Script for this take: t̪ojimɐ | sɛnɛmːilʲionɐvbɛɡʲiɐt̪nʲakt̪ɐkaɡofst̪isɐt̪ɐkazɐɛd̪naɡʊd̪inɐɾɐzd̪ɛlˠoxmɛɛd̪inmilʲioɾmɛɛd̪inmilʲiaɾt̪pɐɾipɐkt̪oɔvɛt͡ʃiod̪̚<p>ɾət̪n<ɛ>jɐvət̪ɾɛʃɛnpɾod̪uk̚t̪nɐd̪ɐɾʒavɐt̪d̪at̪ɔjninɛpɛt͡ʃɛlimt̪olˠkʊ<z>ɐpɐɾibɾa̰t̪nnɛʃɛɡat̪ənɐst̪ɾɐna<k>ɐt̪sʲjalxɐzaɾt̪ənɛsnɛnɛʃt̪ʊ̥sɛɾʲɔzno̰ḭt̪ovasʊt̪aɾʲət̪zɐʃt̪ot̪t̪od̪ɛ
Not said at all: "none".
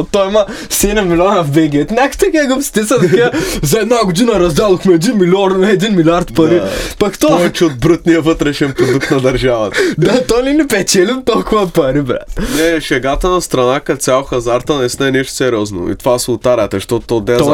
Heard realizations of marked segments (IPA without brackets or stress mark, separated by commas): b, i, v, k